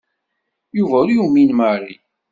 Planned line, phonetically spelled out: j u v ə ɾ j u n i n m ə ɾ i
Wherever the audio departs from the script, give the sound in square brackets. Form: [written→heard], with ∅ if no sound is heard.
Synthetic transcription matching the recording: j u v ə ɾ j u [n→m] i n m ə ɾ i